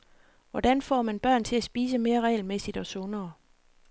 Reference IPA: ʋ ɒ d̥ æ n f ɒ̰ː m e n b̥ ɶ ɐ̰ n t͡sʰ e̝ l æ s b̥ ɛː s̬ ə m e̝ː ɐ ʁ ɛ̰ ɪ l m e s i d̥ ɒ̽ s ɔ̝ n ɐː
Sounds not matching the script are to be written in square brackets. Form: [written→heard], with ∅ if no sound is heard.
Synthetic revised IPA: ʋ ɒ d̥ æ n f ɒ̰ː m [e→æ] n b̥ ɶ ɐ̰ n t͡sʰ e̝ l æ s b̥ [ɛː→iː] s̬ ə m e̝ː ɐ ʁ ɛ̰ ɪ l m e s i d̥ ɒ̽ s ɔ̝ n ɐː